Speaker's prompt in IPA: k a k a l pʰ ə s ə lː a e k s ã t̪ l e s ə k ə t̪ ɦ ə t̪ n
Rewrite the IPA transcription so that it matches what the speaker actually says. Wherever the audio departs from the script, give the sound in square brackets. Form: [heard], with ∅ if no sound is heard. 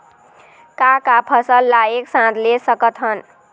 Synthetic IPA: k a k a [∅] pʰ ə s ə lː a e k s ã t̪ l e s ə k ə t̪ ɦ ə [∅] n